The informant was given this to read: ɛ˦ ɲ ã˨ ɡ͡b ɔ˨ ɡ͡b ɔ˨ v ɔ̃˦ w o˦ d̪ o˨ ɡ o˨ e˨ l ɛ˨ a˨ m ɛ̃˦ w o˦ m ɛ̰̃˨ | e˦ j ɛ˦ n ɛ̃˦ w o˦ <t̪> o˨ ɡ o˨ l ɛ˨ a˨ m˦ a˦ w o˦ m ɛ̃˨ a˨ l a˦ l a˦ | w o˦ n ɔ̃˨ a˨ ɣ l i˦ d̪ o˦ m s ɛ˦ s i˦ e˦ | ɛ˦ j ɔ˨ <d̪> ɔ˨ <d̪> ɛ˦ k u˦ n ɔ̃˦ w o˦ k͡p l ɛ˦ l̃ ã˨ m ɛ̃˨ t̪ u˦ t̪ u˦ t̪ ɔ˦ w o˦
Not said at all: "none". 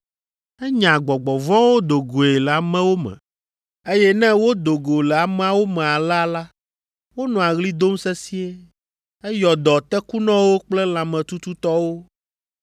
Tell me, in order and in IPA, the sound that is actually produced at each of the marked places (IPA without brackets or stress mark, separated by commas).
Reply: d̪, d̪, t̪